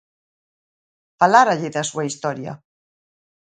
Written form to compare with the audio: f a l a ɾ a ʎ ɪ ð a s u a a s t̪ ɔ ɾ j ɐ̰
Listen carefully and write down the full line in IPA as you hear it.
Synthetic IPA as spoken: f a l a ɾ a ʎ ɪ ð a s u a i s t̪ ɔ ɾ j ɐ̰